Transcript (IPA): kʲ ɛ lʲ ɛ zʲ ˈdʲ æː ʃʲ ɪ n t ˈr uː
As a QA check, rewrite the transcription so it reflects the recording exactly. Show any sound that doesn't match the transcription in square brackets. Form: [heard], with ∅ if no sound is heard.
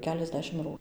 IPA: kʲ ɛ lʲ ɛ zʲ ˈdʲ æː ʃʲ ɪ [m] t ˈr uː